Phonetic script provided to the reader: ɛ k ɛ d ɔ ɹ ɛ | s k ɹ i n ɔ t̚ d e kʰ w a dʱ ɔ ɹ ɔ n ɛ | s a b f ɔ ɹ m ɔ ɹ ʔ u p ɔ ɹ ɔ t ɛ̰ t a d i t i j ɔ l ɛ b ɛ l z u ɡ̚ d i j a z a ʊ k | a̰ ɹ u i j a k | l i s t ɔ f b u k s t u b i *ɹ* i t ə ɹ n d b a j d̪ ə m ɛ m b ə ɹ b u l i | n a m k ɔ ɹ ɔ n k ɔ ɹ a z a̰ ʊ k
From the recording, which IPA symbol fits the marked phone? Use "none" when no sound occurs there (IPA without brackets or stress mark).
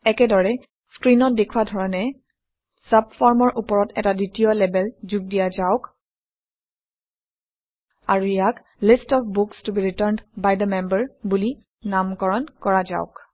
ɹ